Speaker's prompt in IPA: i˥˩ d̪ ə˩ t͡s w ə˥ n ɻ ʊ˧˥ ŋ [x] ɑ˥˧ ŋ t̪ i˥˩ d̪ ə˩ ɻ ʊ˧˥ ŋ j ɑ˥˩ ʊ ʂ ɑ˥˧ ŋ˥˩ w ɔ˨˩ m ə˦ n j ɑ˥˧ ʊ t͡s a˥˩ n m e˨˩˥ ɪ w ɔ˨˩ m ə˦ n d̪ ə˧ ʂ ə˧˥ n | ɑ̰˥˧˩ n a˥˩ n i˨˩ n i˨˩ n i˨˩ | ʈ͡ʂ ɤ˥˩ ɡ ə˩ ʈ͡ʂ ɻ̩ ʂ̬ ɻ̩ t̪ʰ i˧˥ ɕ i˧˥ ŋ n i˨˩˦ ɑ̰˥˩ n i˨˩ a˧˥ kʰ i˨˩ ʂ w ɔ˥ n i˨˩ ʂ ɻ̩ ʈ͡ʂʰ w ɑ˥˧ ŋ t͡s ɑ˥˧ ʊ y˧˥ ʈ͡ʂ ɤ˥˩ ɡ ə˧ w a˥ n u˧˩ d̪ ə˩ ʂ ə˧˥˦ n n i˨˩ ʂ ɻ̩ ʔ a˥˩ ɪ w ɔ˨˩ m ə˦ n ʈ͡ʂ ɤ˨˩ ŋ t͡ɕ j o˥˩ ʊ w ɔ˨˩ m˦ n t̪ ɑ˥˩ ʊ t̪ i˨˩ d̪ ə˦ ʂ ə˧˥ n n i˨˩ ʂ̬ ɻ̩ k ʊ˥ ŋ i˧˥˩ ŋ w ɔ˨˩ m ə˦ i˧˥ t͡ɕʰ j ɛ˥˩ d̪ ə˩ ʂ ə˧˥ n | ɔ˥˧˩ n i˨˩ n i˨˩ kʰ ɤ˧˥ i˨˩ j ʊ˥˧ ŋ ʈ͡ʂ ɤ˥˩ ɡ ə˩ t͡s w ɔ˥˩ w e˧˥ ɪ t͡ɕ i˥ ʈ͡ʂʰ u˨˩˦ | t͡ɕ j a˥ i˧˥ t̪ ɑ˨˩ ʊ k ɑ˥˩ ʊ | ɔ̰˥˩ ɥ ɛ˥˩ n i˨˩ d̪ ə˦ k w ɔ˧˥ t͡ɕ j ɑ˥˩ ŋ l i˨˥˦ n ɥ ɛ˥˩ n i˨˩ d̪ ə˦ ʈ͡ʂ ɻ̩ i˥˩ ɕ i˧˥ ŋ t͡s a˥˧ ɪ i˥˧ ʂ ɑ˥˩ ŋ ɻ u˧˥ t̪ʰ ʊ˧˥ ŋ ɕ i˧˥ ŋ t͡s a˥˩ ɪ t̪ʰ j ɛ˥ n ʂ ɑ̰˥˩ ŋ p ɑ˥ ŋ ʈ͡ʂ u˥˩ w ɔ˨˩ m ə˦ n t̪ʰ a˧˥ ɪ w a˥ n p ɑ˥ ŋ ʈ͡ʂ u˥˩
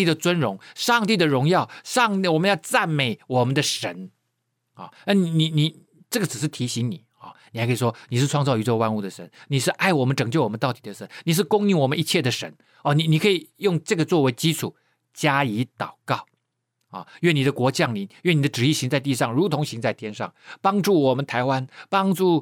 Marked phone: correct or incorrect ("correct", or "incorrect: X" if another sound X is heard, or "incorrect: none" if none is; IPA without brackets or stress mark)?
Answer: incorrect: ʂ